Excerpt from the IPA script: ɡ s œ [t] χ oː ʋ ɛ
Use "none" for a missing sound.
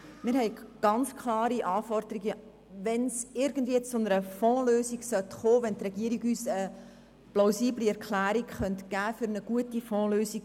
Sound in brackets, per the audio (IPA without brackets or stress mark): t